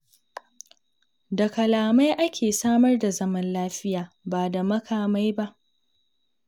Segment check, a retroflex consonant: absent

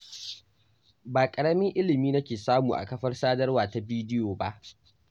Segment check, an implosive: absent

